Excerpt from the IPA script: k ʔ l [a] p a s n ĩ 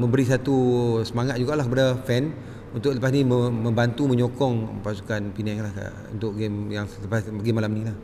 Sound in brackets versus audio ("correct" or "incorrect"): incorrect